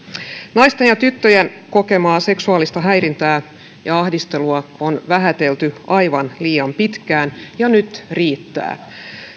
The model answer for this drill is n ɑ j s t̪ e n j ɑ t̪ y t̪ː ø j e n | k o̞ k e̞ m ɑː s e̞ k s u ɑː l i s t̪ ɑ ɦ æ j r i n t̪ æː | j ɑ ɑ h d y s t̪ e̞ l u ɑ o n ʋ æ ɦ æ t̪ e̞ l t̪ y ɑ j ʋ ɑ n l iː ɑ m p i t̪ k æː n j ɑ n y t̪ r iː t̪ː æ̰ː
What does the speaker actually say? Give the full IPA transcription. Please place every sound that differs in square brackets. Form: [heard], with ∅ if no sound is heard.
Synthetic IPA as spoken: n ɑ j s t̪ e n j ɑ t̪ y t̪ː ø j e n | k o̞ k e̞ m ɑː s e̞ k s u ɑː l i s t̪ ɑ ɦ æ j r i n t̪ æː | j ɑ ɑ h d [i] s t̪ e̞ l u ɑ o n ʋ æ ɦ æ t̪ e̞ l t̪ y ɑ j ʋ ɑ n l iː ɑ m p i t̪ k æː n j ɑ n y t̪ r iː t̪ː æ̰ː